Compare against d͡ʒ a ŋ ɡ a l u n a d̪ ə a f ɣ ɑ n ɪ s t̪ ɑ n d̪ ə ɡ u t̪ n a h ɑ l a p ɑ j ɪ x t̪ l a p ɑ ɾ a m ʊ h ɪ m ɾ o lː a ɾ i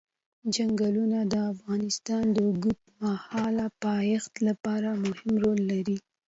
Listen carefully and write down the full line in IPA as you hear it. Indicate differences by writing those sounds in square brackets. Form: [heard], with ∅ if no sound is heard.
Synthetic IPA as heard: d͡ʒ a ŋ ɡ a l u n a d̪ ə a f ɣ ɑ n ɪ s t̪ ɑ n d̪ ə ɡ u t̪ [m] a h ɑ l a p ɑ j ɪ x t̪ l a p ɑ ɾ a m ʊ h ɪ m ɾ o lː a ɾ i